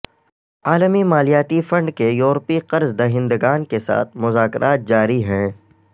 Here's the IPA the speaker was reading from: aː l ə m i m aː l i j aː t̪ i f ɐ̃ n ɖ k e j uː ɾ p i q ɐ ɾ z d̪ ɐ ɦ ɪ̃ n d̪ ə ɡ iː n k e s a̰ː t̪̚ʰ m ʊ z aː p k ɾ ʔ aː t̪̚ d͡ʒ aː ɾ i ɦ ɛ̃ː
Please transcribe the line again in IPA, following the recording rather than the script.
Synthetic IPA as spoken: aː l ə m i m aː l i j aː t̪ i f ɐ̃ ɳ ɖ k e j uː ɾ p i q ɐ ɾ z d̪ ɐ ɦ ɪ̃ n d̪ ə ɡ aː n k e s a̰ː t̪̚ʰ m ʊ z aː k ɾ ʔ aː t̪̚ d͡ʒ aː ɾ i ɦ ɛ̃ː